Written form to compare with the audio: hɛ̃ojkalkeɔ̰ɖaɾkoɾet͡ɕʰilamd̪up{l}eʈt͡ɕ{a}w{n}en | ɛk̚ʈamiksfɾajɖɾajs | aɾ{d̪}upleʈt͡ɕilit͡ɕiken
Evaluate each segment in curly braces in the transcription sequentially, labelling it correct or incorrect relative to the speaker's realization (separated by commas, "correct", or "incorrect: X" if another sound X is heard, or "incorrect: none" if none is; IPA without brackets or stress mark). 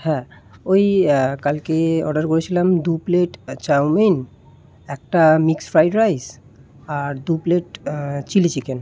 correct, correct, incorrect: m, correct